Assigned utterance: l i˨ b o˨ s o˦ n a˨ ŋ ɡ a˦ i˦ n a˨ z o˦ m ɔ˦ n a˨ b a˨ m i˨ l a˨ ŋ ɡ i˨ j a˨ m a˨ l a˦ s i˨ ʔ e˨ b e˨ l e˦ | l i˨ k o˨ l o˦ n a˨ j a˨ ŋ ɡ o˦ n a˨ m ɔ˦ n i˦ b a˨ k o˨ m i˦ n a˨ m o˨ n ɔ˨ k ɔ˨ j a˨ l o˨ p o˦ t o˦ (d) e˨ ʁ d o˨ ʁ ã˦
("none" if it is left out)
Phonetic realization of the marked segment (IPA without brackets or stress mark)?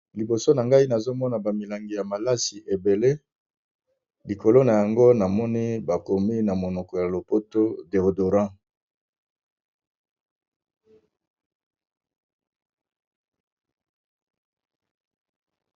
d